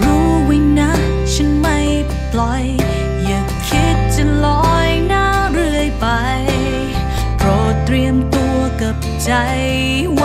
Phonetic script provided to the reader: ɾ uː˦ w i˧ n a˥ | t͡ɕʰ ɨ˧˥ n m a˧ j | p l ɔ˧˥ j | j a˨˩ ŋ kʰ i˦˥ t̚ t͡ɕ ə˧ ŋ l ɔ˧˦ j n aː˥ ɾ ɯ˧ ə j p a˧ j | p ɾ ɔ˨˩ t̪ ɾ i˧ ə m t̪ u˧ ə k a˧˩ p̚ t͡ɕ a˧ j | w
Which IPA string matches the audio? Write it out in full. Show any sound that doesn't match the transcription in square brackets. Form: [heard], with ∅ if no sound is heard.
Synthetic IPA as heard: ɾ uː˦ w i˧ n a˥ | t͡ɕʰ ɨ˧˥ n m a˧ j | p l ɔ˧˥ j | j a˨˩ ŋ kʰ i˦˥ t̚ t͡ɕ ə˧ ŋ l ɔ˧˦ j n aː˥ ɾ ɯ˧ ə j p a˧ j | p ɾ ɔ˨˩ t̪ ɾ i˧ ə m t̪ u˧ ə k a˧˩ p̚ t͡ɕ a˧ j | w

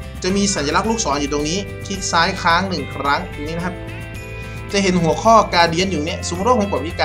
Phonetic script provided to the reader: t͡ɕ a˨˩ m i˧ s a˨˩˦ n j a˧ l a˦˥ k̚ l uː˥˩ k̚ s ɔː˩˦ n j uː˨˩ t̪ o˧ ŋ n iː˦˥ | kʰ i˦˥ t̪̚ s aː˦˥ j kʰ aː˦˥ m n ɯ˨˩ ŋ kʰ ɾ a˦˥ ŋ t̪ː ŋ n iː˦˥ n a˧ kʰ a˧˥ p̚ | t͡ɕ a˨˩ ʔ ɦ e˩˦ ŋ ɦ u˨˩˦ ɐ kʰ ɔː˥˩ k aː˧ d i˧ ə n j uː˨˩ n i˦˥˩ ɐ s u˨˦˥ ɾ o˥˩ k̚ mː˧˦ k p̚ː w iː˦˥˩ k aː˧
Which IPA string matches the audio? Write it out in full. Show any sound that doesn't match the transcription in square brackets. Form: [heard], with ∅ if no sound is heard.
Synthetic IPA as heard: t͡ɕ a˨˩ m [iː˧] s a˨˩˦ n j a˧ l a˦˥ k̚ l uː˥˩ k̚ s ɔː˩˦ n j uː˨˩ t̪ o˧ ŋ n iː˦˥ | kʰ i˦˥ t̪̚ s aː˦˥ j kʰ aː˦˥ [ŋ] n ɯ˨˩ ŋ kʰ ɾ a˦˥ ŋ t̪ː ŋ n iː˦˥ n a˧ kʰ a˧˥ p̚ | t͡ɕ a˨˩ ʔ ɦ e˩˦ [n] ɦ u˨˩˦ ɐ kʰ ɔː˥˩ k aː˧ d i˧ ə n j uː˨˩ n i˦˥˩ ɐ s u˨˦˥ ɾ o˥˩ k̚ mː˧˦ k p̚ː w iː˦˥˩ k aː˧

